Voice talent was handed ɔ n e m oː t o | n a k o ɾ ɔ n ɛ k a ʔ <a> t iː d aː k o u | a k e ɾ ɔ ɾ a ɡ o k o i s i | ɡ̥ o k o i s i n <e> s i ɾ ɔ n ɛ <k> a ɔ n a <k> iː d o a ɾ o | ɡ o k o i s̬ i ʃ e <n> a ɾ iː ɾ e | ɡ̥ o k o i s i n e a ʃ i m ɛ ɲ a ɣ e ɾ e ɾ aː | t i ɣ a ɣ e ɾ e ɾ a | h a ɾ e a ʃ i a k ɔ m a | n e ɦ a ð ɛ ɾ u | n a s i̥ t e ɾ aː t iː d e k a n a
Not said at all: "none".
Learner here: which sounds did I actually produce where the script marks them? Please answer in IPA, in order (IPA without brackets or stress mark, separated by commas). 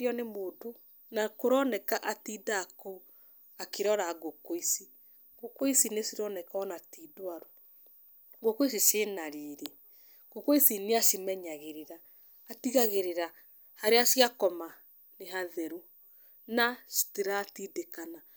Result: a, e, k, t, n